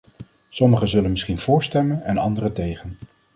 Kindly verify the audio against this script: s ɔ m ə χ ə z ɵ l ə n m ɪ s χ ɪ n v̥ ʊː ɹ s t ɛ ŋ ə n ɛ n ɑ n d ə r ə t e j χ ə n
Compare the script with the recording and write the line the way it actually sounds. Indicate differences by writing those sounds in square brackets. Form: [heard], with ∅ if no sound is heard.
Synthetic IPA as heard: s ɔ m ə χ ə z ɵ l ə n m ɪ s χ [i] n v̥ ʊː ɹ s t ɛ [m] ə n ɛ n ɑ n d ə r ə t e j χ ə n

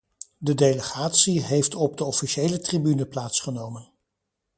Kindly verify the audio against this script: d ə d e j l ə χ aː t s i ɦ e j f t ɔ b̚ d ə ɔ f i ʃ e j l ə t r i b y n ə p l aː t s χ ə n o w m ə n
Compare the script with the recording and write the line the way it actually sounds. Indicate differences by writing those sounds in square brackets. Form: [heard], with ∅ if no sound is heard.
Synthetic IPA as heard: d ə d e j l ə χ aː t s i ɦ e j f t ɔ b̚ d ə ɔ f i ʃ e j l ə t r i b y n ə p l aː t s χ ə n o w m ə n

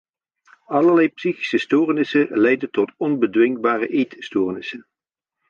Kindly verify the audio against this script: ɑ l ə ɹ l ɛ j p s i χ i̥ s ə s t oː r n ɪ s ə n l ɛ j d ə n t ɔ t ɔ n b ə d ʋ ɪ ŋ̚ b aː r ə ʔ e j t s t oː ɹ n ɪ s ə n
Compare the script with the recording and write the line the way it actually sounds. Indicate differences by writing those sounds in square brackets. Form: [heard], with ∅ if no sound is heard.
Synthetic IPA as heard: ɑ l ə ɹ l ɛ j p s i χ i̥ s ə s t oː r n ɪ s ə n l ɛ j d ə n t ɔ t ɔ n b ə d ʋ ɪ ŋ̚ b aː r ə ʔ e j t s t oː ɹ n ɪ s ə n

